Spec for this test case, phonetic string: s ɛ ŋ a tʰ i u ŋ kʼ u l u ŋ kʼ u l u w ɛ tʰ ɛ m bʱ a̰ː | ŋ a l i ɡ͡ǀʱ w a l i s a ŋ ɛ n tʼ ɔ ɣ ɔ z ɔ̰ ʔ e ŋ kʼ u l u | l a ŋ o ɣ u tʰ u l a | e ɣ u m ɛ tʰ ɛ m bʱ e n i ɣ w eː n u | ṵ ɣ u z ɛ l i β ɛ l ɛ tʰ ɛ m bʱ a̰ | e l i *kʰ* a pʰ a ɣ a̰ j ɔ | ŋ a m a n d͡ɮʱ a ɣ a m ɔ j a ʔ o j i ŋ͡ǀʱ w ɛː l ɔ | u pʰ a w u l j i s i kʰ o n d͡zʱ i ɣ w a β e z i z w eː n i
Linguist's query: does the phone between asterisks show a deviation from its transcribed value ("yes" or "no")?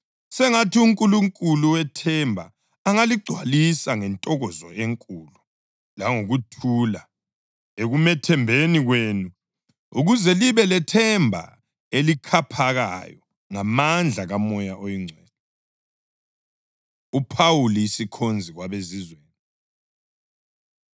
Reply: no